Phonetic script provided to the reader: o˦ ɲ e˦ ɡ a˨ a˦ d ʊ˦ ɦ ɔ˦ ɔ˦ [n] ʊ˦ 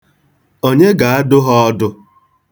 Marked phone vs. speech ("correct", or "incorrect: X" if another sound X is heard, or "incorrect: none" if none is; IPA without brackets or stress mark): incorrect: d